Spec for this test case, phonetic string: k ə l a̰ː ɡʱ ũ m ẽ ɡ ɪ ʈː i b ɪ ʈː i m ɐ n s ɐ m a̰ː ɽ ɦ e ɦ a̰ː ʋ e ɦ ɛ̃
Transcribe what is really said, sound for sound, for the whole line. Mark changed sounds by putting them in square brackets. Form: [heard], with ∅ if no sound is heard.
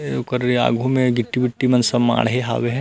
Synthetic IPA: k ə [ɾ] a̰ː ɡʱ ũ m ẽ ɡ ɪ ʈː i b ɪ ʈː i m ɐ n s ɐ m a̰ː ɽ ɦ e ɦ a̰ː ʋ e ɦ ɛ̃